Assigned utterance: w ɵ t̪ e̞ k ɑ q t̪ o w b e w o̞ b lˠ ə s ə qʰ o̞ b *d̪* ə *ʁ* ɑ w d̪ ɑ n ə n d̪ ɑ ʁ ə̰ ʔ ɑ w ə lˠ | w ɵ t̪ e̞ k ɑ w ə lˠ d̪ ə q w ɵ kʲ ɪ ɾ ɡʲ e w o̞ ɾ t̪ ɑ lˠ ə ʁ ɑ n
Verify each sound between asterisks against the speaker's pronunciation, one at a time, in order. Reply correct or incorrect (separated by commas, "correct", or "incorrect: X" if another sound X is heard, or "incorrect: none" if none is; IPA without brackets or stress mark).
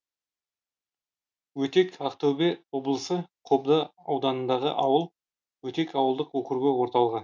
correct, incorrect: none